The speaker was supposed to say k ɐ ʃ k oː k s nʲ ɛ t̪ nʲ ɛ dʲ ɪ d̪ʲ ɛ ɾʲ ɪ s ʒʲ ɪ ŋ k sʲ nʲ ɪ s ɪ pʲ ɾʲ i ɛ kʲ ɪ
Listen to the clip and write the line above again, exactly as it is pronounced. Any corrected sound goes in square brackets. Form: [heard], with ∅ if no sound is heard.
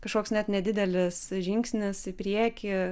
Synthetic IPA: k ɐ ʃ k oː k s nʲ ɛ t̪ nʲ ɛ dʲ ɪ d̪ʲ ɛ [lʲ] ɪ s ʒʲ ɪ ŋ k sʲ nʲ ɪ s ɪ pʲ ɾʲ i ɛ kʲ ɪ

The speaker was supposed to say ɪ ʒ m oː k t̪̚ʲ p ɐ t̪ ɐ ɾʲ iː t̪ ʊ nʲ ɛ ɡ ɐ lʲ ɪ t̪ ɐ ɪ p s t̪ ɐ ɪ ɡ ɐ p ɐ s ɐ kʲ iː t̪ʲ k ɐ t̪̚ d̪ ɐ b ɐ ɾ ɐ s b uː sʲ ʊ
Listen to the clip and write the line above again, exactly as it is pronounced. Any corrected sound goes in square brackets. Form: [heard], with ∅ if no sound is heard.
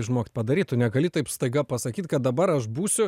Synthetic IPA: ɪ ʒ m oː k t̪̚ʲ p ɐ [d̪] ɐ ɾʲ iː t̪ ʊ nʲ ɛ ɡ ɐ lʲ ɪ t̪ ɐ ɪ p s t̪ ɐ ɪ ɡ ɐ p ɐ s ɐ kʲ iː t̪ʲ k ɐ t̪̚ d̪ ɐ b ɐ ɾ ɐ [ʃ] b uː sʲ ʊ

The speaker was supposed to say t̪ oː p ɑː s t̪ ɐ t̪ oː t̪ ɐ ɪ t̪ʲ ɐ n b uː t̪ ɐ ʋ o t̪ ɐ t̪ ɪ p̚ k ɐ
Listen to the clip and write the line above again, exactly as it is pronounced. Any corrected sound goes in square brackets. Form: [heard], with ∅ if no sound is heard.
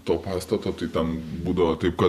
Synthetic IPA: t̪ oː p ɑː s t̪ ɐ t̪ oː t̪ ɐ ɪ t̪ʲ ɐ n b uː [d̪] ɐ ʋ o t̪ ɐ [∅] ɪ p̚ k ɐ

